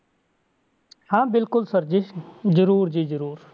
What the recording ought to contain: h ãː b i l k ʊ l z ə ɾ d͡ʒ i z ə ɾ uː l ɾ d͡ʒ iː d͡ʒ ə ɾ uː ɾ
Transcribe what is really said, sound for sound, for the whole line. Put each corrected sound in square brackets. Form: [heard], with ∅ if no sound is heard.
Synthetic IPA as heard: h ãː b [ɪ] l k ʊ l [s] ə ɾ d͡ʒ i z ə ɾ uː [∅] ɾ d͡ʒ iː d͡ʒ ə ɾ uː ɾ